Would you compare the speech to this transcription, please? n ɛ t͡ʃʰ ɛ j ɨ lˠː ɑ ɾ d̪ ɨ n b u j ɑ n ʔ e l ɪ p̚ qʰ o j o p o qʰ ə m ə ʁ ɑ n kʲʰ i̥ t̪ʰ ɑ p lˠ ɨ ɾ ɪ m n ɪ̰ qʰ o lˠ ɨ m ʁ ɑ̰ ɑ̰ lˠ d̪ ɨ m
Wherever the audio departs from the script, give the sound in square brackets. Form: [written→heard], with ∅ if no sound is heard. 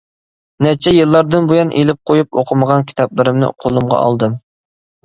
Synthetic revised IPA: n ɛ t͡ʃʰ ɛ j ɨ lˠː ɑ ɾ d̪ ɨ n b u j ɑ n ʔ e l ɪ p̚ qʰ o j [o→u] p o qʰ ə m ə ʁ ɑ n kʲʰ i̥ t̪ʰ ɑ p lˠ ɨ ɾ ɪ m n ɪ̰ qʰ o lˠ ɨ m ʁ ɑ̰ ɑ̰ lˠ d̪ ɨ m